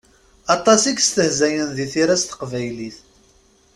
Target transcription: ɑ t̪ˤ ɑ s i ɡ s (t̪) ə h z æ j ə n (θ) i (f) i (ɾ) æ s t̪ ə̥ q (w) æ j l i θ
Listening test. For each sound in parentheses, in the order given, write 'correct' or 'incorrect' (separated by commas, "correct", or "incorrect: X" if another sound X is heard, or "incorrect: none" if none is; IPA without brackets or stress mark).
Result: correct, incorrect: ð, incorrect: θ, correct, incorrect: v